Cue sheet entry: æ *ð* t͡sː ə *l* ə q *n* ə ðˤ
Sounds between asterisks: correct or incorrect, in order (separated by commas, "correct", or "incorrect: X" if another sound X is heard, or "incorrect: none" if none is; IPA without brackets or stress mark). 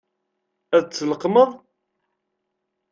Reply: correct, correct, incorrect: m